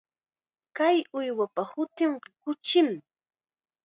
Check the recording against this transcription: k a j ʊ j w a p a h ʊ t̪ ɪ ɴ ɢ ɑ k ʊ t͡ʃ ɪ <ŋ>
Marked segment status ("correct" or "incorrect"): incorrect